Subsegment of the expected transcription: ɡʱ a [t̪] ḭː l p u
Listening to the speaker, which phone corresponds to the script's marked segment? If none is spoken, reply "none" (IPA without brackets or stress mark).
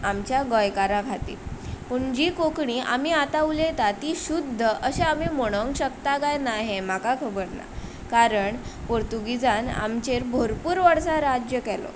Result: t̪